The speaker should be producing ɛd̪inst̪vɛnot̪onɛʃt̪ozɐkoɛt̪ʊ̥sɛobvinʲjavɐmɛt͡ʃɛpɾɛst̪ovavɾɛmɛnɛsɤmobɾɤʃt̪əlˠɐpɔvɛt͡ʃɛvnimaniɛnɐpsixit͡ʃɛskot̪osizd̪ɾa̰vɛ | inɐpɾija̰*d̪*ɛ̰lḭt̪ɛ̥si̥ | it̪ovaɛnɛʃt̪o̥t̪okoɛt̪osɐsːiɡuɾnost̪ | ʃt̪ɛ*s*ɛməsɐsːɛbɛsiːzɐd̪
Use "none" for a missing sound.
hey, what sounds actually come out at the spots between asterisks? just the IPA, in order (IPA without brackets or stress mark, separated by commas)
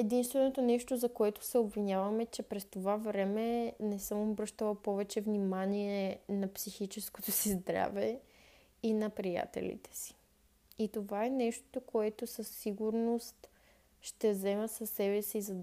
t̪, z